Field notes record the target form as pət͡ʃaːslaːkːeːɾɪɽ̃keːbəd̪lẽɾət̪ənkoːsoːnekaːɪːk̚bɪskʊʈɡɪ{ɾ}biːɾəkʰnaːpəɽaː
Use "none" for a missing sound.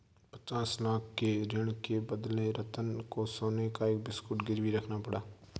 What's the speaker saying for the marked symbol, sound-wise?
ɾ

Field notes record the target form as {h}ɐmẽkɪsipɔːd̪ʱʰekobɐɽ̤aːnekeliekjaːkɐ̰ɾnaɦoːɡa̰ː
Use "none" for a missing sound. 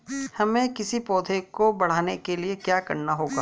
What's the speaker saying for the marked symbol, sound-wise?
h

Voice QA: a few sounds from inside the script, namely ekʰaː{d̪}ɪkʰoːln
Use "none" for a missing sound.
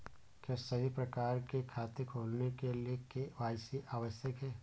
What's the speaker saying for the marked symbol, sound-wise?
t̪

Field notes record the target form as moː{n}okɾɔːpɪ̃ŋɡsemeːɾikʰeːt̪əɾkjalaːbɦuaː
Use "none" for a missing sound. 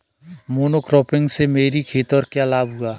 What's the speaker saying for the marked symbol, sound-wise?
n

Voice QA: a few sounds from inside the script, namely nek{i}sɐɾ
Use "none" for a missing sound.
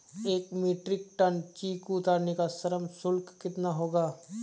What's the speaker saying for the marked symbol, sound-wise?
a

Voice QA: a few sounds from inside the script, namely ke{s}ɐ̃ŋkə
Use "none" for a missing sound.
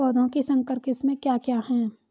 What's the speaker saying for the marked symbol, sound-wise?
s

